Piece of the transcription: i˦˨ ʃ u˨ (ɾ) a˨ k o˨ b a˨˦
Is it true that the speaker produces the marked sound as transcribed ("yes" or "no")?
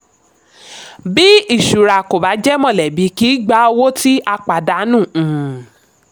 yes